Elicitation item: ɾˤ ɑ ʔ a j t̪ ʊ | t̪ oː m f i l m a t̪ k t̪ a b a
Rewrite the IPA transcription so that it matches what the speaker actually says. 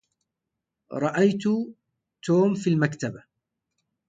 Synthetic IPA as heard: ɾˤ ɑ ʔ a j t̪ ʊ | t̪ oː m f i l m a k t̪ a b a